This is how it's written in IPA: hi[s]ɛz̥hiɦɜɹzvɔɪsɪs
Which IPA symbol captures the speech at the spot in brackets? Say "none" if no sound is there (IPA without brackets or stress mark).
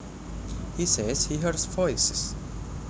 s